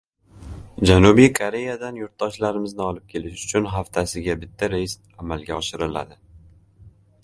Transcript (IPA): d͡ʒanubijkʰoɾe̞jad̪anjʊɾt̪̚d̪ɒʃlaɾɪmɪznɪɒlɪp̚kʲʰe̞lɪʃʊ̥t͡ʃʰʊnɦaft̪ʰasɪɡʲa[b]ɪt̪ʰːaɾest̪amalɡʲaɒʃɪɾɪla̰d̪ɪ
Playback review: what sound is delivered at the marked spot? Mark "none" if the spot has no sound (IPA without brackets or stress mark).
b